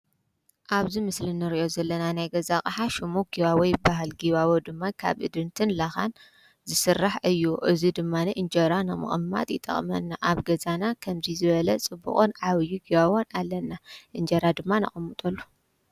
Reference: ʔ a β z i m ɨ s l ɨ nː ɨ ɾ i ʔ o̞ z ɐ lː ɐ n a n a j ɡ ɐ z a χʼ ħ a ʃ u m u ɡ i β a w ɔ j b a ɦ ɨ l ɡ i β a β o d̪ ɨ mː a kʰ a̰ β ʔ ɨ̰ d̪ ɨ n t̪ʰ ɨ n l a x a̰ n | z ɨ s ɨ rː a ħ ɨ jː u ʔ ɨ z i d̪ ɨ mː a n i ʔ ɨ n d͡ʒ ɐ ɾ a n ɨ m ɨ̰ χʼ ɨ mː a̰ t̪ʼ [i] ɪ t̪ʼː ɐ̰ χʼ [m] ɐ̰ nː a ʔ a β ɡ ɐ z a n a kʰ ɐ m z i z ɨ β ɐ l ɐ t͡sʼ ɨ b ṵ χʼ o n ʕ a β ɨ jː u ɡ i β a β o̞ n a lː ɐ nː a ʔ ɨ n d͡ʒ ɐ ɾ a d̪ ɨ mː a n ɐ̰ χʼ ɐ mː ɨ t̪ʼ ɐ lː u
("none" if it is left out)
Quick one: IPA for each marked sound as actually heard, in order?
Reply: j, m

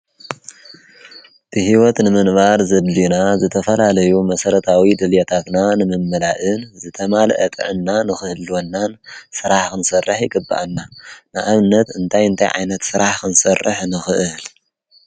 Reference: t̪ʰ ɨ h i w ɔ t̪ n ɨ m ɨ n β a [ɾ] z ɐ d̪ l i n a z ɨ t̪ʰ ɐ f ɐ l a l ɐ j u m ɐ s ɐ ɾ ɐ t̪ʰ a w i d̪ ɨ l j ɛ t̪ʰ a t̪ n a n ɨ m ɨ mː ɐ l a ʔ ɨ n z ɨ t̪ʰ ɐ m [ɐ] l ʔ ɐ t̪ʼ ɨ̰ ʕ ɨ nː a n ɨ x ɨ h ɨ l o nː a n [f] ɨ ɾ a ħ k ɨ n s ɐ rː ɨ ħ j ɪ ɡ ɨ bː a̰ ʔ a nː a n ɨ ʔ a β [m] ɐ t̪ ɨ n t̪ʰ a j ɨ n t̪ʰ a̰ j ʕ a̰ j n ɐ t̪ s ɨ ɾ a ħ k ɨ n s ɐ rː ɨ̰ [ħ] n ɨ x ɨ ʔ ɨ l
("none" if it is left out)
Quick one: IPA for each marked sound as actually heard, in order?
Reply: ɾ, a, s, n, ħ

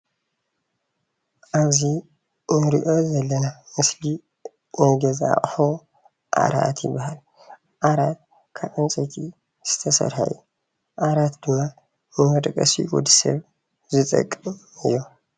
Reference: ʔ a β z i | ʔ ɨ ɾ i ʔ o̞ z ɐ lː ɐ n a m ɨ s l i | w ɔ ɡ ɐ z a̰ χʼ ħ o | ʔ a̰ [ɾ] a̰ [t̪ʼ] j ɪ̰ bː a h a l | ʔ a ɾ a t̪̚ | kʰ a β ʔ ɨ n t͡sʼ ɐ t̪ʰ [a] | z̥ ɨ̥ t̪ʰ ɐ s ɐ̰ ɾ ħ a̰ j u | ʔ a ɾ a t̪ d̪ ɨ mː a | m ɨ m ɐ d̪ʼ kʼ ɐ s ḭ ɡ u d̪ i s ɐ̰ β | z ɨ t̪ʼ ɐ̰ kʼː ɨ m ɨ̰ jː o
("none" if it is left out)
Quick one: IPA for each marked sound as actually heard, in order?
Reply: ɾ, t̪, i

